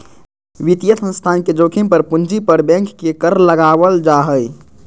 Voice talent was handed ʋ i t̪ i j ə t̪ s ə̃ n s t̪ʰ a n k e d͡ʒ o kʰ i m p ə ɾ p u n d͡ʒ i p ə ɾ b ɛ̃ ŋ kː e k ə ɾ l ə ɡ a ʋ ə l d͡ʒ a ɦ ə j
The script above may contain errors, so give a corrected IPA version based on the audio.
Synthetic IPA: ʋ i t̪ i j ə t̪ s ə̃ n s t̪ʰ a n k e d͡ʒ o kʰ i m p ə ɾ p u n d͡ʒ i p ə ɾ b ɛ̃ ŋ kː e k ə ɾ l ə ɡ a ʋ ə l d͡ʒ a ɦ ə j